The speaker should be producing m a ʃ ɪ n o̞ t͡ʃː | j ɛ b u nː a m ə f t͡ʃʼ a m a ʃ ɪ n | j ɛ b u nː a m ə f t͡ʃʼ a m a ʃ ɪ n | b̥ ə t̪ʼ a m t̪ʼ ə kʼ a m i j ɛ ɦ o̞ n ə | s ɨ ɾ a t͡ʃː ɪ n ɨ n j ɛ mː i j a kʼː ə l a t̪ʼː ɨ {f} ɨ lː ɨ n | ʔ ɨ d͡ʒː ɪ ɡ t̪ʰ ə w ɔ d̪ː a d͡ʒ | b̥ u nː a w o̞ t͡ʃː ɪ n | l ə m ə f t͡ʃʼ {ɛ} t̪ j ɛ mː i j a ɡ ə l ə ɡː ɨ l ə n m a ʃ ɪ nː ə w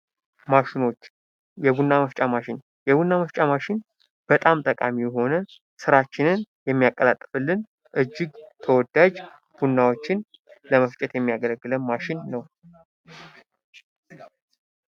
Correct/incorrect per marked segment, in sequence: correct, correct

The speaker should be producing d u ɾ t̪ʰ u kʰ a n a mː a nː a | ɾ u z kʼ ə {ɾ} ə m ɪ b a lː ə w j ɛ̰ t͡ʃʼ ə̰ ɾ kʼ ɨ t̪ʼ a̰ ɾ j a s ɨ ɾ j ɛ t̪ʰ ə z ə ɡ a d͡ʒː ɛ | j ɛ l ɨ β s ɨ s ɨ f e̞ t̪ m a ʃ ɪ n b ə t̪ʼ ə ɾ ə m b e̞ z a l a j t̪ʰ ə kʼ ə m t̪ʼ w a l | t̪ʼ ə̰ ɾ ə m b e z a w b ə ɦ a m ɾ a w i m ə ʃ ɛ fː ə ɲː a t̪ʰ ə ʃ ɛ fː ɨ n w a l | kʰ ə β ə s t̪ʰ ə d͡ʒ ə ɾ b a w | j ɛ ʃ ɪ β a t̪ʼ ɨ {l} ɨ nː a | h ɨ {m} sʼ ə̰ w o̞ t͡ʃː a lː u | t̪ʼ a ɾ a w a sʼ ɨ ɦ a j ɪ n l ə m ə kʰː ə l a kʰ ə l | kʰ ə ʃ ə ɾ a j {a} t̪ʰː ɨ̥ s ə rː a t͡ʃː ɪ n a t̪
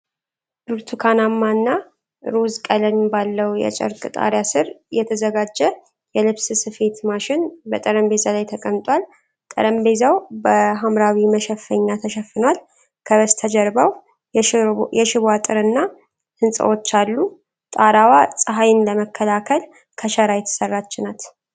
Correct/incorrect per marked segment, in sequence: incorrect, incorrect, incorrect, incorrect

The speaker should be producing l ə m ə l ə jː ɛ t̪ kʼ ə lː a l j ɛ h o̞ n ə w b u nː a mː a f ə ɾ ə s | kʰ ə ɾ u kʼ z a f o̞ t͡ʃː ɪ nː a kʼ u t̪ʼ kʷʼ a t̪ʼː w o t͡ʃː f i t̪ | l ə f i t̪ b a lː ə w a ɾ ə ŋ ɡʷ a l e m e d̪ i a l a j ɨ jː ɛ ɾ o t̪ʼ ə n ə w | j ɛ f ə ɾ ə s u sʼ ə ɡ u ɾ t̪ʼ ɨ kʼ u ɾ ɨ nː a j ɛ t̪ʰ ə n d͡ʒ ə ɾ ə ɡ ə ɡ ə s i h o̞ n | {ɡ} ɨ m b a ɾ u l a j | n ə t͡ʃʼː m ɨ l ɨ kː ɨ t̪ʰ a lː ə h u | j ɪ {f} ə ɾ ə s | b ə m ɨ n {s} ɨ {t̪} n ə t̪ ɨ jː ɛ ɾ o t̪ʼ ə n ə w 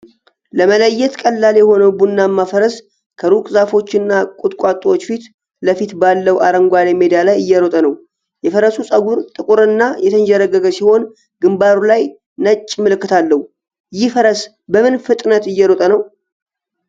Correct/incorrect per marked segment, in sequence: correct, correct, incorrect, incorrect

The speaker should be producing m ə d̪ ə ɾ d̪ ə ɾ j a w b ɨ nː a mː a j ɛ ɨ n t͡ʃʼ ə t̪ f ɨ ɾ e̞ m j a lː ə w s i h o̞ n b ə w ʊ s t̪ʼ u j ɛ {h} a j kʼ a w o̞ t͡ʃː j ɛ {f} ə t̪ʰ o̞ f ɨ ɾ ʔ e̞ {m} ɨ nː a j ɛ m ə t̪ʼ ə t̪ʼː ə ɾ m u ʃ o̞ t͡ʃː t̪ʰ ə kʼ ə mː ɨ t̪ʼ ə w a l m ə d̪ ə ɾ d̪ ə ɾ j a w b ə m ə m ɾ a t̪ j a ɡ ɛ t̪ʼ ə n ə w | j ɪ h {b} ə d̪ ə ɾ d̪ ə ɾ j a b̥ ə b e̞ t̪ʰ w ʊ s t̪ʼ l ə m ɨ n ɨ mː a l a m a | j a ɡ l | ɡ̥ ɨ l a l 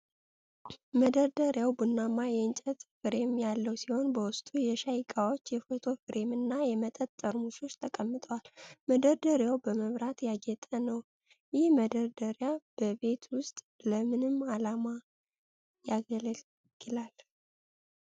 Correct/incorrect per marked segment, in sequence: incorrect, correct, correct, incorrect

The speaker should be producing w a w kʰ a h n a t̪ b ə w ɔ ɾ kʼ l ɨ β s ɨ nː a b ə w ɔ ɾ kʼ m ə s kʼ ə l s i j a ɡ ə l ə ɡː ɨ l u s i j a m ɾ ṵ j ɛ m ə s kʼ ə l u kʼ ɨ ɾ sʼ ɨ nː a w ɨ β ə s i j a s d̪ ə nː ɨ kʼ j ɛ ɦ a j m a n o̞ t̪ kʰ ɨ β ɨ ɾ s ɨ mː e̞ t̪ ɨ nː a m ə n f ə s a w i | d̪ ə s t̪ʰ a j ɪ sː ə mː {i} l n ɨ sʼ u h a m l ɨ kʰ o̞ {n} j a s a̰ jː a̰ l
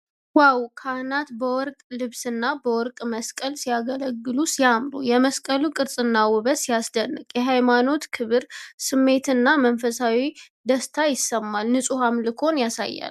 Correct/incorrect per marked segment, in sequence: incorrect, correct

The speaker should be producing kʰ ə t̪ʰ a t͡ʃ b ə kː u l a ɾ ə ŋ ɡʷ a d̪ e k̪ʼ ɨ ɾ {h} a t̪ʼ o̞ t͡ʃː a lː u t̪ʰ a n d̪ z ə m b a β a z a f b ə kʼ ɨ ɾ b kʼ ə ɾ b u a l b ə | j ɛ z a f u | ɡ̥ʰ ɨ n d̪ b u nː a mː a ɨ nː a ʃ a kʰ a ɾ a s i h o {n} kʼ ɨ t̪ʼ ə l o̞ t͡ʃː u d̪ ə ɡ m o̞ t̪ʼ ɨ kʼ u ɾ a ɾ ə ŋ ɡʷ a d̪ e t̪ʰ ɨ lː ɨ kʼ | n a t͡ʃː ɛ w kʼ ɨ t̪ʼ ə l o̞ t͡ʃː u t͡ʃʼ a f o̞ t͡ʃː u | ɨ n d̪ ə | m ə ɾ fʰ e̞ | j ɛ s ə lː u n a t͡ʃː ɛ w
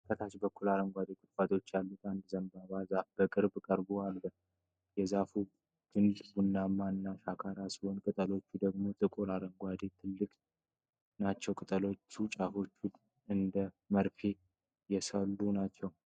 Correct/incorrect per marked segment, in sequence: incorrect, correct

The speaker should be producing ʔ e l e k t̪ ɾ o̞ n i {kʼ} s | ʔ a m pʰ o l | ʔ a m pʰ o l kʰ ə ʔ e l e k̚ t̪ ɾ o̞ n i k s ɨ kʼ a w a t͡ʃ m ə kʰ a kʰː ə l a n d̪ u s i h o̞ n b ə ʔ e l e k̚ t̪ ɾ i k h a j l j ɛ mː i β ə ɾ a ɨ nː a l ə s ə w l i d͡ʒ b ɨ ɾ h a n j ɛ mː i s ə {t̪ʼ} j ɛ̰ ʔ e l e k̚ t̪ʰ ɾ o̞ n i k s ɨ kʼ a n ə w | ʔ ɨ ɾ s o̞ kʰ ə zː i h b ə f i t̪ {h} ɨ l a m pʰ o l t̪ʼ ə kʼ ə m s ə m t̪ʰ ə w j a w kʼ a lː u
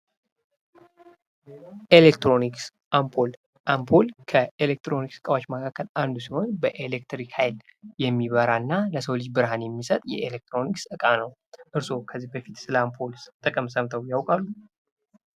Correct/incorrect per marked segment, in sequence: incorrect, correct, incorrect

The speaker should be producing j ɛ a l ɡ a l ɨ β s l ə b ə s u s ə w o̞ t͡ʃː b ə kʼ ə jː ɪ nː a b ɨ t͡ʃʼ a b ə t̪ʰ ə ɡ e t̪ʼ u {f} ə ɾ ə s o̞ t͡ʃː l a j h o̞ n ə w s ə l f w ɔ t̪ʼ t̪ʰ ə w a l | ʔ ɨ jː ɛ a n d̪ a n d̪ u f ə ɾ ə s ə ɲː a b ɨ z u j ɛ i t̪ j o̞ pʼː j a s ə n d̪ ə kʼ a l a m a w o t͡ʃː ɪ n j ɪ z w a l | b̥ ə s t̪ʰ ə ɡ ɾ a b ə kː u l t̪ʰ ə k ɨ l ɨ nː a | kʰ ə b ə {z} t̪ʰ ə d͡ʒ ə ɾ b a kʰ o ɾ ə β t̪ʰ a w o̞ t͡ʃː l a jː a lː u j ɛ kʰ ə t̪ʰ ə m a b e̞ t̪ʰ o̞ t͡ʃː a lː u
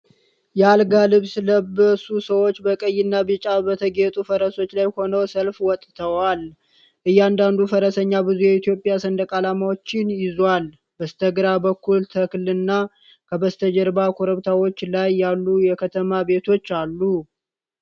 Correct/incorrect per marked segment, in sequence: correct, incorrect

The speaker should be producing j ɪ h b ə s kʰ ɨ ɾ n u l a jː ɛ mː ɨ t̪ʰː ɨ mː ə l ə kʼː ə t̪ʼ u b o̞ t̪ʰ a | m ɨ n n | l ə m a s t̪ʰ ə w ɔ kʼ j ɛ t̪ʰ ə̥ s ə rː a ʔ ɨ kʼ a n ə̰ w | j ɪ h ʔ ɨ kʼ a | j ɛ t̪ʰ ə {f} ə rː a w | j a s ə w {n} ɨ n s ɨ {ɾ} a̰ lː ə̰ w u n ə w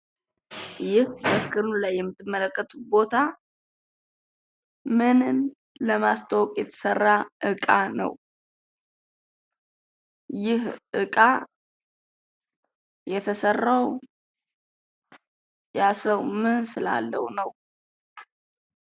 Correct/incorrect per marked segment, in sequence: incorrect, incorrect, incorrect

